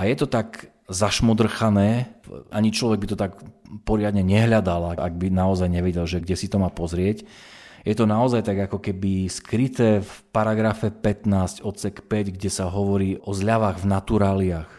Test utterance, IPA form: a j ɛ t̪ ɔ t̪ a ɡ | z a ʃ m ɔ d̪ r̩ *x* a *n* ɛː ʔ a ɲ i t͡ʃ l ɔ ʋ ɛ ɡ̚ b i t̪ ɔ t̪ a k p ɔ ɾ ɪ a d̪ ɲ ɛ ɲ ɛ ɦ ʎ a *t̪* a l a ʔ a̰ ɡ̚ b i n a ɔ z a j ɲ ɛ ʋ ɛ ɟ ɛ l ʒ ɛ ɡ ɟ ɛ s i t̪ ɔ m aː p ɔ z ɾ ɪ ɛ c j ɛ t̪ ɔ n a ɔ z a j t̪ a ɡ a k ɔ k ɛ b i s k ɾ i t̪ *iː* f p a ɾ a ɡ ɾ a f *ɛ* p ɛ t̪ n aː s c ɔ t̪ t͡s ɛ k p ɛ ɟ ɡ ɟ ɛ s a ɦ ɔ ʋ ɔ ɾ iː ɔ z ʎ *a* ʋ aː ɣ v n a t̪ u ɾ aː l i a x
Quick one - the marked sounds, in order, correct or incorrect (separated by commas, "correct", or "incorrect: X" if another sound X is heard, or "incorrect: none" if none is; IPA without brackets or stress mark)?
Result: correct, correct, incorrect: d̪, incorrect: ɛː, correct, correct